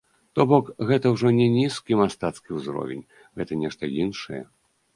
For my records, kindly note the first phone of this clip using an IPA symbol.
t̪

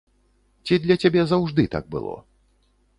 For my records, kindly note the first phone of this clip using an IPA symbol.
t͡sʲ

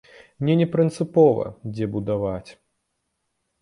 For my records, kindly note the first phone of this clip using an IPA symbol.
nʲ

